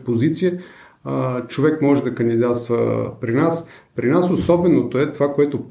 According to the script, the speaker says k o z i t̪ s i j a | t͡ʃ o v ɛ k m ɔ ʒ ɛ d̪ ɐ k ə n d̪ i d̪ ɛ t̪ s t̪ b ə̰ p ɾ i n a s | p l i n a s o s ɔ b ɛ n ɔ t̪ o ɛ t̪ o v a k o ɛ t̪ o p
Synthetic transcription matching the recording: p o z i t̪ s i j ə | t͡ʃ o v ɛ k m ɔ ʒ ɛ d̪ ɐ k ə n d̪ i d̪ a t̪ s t̪ v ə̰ p ɾ i n a s | p ɾ i n a s o s ɔ b ɛ n o t̪ o ɛ t̪ o v a k o ɛ t̪ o p